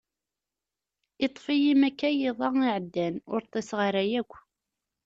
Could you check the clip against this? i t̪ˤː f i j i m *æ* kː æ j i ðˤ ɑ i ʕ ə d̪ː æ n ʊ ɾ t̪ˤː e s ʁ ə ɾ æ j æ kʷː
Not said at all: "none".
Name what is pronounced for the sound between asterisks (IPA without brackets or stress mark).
æ